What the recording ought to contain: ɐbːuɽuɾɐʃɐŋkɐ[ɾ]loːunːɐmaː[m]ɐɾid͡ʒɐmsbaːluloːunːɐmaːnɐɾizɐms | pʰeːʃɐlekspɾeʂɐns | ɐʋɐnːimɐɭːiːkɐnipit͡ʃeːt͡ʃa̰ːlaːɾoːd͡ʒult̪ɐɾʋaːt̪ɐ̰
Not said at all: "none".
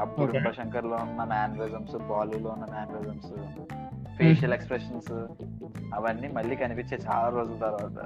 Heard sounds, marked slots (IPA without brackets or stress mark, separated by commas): ɾ, n